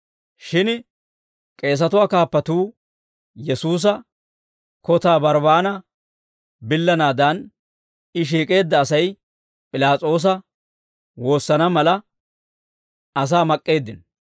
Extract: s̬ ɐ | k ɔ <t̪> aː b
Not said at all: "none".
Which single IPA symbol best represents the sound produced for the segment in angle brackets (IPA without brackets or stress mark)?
t̪